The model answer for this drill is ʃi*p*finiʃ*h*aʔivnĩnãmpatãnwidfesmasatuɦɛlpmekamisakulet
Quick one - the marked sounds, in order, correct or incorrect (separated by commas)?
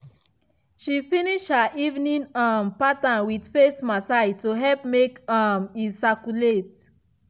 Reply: incorrect, correct